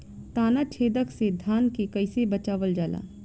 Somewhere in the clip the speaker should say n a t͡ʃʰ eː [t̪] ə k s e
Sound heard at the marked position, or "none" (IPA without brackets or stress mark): d̪